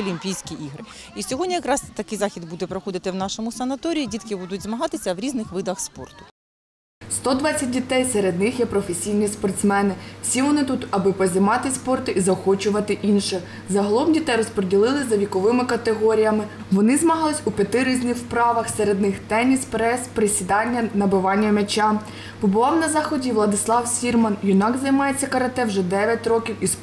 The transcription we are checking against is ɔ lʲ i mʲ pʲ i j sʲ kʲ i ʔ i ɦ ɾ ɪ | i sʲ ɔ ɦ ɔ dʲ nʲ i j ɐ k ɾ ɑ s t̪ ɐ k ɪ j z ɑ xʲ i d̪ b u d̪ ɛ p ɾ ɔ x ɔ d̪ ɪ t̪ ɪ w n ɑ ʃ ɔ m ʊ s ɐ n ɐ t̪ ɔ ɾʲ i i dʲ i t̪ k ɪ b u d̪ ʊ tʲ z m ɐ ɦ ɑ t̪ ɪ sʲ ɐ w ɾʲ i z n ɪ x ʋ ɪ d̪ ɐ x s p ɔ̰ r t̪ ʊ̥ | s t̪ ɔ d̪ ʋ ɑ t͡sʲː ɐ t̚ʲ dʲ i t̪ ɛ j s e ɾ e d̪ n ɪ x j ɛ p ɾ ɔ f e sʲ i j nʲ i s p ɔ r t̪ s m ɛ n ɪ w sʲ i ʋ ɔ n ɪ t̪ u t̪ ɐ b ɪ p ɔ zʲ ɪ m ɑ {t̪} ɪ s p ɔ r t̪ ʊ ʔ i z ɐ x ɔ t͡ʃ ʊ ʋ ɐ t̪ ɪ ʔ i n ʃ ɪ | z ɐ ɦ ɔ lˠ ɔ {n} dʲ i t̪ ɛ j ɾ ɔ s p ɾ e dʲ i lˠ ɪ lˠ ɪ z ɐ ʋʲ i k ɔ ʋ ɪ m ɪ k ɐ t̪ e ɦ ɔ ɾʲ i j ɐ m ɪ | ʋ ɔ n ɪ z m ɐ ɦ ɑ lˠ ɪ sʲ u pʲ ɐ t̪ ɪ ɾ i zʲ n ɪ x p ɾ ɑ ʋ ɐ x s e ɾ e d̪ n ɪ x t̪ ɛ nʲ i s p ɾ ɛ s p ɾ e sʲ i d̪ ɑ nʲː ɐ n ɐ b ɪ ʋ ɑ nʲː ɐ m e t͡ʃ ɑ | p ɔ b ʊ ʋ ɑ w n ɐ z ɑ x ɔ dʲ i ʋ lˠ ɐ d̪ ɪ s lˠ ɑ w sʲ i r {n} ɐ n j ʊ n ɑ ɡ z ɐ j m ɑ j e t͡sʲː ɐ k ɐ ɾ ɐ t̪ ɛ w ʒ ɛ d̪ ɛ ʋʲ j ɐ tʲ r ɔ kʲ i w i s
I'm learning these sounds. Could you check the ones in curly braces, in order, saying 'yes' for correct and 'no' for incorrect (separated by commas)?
yes, no, no